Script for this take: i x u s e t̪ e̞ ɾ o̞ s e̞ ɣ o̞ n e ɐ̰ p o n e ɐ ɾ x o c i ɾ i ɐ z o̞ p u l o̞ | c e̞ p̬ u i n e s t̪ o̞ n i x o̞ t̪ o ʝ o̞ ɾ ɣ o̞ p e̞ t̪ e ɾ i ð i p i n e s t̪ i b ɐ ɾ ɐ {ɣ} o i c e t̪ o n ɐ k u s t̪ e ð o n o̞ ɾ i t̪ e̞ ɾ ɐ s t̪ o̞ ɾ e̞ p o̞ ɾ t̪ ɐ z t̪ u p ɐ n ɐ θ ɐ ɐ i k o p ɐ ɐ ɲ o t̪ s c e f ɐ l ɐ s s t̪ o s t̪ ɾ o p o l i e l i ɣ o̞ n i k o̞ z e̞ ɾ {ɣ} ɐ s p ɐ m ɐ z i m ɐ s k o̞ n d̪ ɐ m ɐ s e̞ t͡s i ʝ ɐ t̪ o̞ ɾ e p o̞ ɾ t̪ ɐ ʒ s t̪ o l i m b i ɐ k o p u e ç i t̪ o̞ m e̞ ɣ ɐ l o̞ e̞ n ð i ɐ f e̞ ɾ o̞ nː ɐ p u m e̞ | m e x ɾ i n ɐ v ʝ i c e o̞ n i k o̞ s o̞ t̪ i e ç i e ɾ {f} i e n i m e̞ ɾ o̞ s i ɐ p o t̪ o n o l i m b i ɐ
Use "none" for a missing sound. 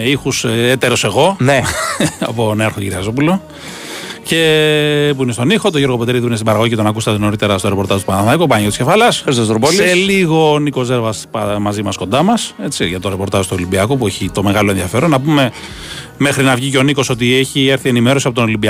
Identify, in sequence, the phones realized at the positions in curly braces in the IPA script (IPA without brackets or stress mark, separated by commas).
ɣ, v, θ